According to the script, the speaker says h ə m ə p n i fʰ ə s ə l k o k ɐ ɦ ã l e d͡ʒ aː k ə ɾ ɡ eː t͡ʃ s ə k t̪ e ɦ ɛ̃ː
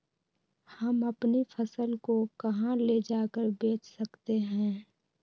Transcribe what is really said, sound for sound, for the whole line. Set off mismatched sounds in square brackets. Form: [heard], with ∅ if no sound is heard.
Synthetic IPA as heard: h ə m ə p n i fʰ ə s ə l k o k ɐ ɦ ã l e d͡ʒ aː k ə ɾ [b] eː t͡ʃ s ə k t̪ e ɦ ɛ̃ː